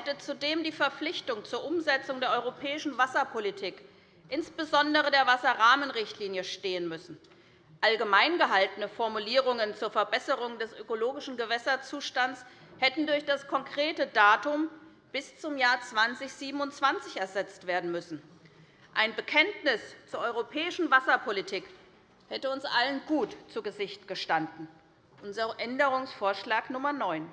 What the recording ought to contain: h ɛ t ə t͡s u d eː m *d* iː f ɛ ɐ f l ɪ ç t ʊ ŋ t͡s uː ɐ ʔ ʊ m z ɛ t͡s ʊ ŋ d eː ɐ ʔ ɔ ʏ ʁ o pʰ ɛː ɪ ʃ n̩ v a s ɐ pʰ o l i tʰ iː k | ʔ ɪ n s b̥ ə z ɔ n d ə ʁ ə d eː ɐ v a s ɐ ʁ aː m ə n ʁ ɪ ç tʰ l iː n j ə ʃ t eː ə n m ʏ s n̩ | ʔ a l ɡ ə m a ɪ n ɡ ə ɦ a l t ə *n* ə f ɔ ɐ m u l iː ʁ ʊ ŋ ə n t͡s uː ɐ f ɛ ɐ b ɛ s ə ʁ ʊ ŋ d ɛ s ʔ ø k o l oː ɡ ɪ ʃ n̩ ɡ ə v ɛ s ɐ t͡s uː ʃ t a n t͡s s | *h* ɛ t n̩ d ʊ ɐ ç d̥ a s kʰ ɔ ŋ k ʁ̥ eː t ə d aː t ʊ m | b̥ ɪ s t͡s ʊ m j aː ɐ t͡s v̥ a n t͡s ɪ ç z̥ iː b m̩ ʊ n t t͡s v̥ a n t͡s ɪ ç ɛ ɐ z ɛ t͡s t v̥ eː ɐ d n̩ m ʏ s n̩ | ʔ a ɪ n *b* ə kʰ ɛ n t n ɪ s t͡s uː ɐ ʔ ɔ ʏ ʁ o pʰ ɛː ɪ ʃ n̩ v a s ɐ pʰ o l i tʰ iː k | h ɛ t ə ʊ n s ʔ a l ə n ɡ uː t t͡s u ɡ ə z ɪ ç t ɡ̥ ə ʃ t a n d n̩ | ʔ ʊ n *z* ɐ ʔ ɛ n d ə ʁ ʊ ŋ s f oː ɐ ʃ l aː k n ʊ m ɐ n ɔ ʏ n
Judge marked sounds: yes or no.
yes, yes, yes, yes, yes

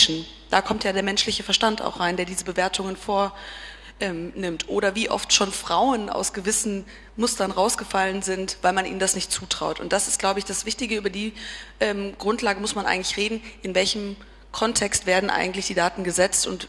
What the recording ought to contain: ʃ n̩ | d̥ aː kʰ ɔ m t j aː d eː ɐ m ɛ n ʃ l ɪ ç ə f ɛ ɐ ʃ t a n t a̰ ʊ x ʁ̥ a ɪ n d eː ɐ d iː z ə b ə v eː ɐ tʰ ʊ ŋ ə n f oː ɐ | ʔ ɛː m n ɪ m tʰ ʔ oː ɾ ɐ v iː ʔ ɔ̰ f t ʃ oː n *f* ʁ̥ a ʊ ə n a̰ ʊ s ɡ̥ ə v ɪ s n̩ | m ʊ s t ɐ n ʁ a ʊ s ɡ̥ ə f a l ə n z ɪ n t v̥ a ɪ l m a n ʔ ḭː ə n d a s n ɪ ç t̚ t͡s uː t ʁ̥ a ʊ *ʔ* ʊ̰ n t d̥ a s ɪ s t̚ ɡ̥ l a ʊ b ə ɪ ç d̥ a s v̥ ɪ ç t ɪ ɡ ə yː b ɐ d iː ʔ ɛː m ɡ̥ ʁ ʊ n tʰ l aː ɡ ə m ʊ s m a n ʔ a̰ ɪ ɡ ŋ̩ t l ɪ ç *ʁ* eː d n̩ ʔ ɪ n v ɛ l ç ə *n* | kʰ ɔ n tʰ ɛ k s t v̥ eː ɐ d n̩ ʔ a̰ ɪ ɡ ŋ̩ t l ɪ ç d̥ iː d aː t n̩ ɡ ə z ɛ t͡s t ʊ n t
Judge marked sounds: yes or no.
yes, no, yes, no

